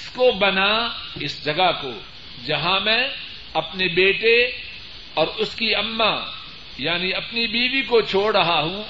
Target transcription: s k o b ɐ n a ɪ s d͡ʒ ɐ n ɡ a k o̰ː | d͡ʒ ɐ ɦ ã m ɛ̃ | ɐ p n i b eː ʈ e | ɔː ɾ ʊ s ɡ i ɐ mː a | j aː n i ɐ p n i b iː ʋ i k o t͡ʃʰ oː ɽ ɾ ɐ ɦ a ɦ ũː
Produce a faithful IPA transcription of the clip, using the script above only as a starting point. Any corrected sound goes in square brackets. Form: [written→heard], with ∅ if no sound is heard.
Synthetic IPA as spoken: s k o b ɐ n a ɪ s d͡ʒ ɐ [n→∅] ɡ a k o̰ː | d͡ʒ ɐ ɦ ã m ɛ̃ | ɐ p n [i→e] b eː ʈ e | ɔː ɾ ʊ s [ɡ→k] i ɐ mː a | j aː n i ɐ p n i b iː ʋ i k o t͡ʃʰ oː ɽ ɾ ɐ ɦ a ɦ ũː